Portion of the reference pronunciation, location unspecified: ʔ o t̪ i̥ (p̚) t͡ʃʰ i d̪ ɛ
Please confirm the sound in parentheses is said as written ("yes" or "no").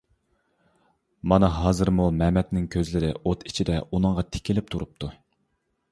no